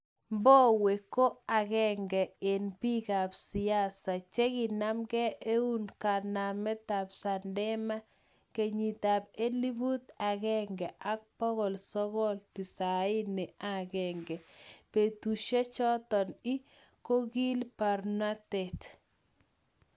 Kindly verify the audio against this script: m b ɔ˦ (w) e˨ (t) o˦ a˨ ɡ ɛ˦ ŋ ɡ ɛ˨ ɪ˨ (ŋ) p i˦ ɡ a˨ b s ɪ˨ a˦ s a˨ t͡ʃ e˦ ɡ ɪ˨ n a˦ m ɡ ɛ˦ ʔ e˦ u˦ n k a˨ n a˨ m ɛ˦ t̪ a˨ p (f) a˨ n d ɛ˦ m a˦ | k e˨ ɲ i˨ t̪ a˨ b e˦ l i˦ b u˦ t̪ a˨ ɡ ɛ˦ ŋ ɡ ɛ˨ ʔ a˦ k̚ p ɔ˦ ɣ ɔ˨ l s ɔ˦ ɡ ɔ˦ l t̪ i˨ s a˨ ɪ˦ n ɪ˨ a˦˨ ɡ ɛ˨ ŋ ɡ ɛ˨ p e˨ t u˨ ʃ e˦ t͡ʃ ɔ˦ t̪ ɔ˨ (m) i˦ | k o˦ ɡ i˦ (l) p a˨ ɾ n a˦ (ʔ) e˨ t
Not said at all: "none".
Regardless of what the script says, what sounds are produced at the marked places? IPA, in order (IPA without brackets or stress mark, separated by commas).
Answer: w, k, n, s, n, l, t